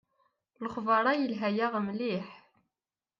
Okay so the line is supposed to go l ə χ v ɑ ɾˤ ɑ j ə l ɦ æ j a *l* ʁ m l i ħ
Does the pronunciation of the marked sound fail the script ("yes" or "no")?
yes